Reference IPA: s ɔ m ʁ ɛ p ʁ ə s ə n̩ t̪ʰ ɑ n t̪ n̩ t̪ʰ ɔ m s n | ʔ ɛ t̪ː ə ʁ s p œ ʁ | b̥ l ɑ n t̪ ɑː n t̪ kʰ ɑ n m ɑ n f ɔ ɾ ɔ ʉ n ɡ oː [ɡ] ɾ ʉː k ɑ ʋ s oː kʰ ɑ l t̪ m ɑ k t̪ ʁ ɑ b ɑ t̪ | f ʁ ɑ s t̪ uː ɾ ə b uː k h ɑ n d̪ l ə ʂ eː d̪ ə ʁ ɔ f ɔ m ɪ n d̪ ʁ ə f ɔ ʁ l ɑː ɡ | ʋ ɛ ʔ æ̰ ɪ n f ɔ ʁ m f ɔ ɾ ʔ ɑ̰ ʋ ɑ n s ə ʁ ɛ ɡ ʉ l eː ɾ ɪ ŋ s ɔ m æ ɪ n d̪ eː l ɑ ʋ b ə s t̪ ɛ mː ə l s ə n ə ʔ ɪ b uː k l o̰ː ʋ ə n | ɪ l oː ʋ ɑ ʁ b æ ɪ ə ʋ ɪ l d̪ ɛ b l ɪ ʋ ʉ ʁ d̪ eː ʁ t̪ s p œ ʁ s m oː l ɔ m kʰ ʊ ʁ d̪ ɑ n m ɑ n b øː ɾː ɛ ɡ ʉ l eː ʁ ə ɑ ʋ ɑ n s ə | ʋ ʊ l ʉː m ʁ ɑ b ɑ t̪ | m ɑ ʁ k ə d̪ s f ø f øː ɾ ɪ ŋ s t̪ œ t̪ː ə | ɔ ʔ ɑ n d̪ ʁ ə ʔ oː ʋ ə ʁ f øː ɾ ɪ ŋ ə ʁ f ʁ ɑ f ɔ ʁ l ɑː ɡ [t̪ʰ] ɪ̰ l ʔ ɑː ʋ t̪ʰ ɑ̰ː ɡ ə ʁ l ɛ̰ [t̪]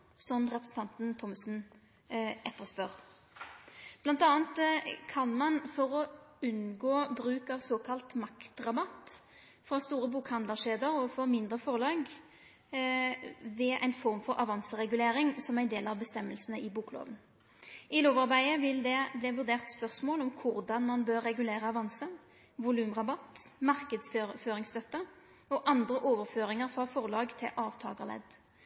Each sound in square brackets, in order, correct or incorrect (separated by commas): incorrect, correct, incorrect